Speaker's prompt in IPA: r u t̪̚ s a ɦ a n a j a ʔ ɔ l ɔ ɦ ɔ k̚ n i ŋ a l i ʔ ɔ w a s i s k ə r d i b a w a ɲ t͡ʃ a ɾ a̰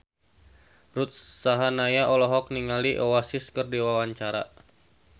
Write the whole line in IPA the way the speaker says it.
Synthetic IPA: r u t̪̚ s a ɦ a n a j a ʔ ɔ l ɔ ɦ ɔ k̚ n i ŋ a l i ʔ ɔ w a s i s k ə r d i w a w a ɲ t͡ʃ a ɾ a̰